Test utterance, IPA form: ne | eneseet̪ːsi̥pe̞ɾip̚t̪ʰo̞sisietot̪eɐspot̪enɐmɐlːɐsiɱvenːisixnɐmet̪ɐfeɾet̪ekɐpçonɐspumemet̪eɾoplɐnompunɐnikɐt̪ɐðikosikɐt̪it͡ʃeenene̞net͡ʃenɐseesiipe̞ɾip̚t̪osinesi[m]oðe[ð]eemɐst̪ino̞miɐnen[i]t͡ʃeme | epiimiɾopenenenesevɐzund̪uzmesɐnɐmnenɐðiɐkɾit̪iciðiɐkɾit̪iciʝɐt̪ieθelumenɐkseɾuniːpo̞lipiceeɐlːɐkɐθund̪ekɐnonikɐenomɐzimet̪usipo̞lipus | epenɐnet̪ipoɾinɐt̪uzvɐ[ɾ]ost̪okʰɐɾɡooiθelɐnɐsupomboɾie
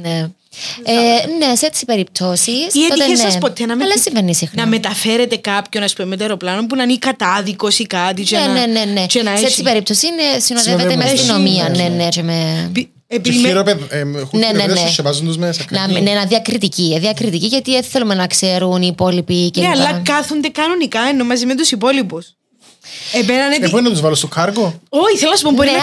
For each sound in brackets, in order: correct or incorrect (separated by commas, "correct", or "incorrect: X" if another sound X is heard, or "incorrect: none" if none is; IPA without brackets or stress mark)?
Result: incorrect: n, incorrect: v, incorrect: e, incorrect: l